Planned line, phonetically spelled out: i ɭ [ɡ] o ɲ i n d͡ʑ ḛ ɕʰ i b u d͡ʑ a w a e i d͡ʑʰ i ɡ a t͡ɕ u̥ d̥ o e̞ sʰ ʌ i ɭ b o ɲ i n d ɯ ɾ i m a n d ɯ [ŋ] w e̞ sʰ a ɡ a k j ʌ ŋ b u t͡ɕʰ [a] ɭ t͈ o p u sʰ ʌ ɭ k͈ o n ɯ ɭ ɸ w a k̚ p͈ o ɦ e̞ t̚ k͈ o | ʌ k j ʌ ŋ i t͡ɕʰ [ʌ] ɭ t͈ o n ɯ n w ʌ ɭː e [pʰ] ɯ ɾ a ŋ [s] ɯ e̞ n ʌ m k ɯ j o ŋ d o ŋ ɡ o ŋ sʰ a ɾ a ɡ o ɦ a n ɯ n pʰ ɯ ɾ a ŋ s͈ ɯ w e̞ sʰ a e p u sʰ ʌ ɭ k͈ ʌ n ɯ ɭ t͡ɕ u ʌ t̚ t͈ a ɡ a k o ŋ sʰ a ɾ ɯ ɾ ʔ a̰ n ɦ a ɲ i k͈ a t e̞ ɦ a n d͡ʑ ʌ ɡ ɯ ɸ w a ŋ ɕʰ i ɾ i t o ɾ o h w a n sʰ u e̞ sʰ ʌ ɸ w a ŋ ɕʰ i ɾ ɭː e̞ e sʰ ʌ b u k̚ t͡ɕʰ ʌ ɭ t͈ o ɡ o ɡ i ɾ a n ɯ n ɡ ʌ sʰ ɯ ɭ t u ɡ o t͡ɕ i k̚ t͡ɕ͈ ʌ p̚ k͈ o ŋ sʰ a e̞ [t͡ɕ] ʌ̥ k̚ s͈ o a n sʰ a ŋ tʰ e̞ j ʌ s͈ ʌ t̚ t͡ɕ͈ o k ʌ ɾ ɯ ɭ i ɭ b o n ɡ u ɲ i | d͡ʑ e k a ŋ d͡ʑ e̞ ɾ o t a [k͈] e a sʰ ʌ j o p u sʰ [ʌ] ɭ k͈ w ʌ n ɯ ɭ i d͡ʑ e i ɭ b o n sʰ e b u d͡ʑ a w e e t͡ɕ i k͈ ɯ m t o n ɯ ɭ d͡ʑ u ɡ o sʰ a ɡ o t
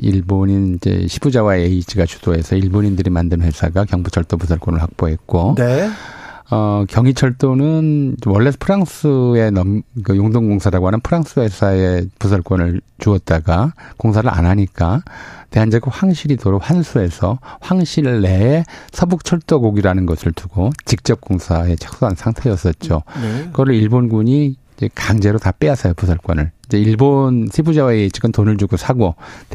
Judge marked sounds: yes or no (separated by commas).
no, no, no, yes, yes, yes, no, no, yes